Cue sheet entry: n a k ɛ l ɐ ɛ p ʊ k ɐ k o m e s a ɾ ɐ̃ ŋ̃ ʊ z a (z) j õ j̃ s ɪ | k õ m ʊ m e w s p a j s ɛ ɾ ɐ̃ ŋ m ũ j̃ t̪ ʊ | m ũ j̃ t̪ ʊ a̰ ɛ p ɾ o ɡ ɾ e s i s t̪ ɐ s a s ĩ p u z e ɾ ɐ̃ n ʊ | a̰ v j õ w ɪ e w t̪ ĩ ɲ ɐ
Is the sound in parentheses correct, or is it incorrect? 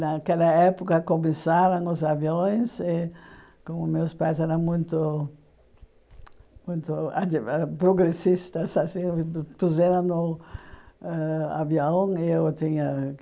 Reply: incorrect: v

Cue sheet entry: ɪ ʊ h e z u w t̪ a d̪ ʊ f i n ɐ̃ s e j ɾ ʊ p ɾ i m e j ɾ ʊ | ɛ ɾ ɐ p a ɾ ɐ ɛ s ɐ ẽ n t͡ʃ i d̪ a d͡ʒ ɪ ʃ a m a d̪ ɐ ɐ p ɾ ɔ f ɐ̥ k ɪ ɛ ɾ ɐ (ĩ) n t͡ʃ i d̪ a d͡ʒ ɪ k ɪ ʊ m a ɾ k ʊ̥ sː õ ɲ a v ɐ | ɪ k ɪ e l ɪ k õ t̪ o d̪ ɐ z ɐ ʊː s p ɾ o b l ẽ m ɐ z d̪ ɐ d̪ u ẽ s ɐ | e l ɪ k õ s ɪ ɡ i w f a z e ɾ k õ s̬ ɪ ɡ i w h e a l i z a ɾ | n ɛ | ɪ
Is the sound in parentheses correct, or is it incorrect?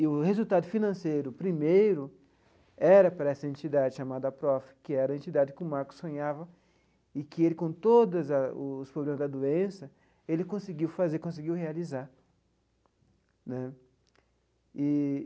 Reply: incorrect: ẽ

